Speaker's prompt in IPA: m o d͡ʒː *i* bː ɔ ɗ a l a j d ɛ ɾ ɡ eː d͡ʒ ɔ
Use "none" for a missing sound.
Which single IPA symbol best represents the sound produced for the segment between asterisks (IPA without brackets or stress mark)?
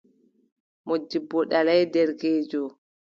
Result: i